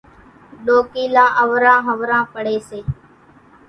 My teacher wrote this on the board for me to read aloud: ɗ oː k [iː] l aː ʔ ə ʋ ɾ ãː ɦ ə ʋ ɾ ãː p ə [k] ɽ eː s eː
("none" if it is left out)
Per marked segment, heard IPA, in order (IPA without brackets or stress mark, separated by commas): iː, none